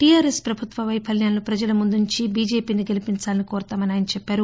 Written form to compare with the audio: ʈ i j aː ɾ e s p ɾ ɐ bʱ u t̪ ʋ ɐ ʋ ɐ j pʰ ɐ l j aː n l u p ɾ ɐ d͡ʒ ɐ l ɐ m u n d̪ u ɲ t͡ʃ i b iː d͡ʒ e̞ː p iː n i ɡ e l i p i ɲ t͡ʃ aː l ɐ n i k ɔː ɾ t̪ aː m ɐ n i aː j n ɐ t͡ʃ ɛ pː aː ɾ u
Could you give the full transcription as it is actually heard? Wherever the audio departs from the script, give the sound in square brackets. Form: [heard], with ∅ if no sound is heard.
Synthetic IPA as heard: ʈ i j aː ɾ e s p ɾ ɐ bʱ u t̪ ʋ ɐ ʋ ɐ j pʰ ɐ l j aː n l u p ɾ ɐ d͡ʒ ɐ l ɐ m u n d̪ u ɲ t͡ʃ i b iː d͡ʒ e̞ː p iː n i ɡ e l i p i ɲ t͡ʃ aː l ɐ n i k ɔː ɾ t̪ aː m ɐ n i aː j n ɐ t͡ʃ ɛ pː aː ɾ u